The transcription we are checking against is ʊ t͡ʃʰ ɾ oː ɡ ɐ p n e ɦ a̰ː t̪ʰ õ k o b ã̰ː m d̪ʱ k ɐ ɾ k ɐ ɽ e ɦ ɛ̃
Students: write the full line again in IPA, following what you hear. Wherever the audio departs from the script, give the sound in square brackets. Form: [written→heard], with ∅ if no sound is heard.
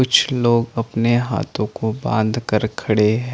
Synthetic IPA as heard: ʊ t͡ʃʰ [ɾ→l] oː ɡ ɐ p n e ɦ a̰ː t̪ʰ õ k o b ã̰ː [m→n] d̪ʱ k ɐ ɾ [k→kʰ] ɐ ɽ e ɦ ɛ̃